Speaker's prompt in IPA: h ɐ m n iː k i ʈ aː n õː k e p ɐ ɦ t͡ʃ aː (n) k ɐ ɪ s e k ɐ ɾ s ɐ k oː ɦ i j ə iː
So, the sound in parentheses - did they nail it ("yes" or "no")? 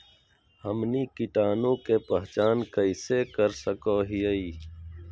yes